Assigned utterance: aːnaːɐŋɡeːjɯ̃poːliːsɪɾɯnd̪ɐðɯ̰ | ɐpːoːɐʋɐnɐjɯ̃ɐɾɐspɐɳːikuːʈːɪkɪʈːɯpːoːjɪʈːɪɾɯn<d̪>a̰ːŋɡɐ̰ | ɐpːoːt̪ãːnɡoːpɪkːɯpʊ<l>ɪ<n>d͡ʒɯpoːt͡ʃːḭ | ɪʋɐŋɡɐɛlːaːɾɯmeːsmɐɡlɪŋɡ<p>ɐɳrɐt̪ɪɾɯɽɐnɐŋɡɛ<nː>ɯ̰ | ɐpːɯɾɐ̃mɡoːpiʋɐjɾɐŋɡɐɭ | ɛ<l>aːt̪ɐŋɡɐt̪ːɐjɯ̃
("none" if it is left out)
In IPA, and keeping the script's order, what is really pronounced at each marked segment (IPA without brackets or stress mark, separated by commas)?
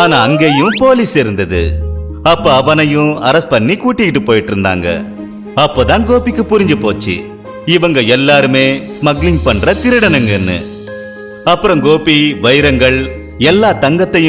d̪, ɾ, ɲ, p, nː, lː